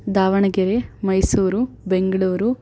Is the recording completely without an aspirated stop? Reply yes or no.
yes